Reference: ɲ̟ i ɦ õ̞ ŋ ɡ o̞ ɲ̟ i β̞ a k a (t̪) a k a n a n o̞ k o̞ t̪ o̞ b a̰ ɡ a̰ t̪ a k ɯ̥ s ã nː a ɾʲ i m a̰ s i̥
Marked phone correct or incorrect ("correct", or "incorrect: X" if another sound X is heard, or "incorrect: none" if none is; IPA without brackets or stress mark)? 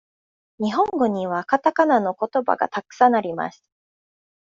correct